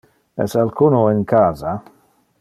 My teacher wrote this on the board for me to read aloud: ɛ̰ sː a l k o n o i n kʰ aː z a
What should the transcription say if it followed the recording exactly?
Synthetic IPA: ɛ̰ s a l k u n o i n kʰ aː z a

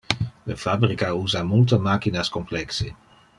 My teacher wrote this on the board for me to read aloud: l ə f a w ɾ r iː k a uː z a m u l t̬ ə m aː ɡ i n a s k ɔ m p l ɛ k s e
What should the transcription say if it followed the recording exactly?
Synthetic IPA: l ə f a b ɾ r i k a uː z a m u l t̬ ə m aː k i n a s k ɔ m p l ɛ k s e

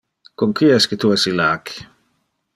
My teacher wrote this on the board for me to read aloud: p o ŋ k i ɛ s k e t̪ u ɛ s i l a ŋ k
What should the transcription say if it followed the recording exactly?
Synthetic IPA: k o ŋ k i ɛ s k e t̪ u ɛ s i l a k

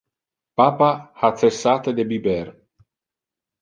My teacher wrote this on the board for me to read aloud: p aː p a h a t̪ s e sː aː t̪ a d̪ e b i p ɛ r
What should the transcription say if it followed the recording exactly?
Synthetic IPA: p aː p a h a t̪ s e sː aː t̪ e d̪ e b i b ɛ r

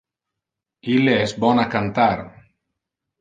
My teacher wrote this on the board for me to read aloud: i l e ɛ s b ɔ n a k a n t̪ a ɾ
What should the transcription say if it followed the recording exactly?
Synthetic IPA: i l e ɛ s b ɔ n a k a n t̪ a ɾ

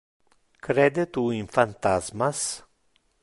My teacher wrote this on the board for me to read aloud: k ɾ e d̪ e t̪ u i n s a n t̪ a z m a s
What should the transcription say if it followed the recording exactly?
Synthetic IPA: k ɾ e d̪ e t̪ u i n f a n t̪ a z m a s

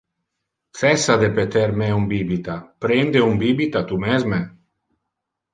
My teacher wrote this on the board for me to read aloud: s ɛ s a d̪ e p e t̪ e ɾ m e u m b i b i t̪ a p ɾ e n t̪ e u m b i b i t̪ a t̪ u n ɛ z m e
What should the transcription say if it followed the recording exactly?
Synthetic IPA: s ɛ s a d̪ e p e t̪ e ɾ m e u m b i b i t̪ a p ɾ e n d̪ e u m b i b i t̪ a t̪ u m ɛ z m e

